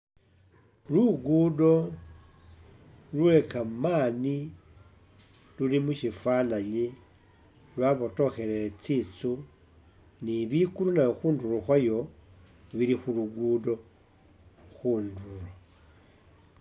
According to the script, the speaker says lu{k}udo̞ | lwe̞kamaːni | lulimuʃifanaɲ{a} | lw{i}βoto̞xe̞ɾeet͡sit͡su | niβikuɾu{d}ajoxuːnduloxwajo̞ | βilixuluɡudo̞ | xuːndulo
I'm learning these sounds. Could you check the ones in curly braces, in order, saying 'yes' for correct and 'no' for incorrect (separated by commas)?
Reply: no, no, no, no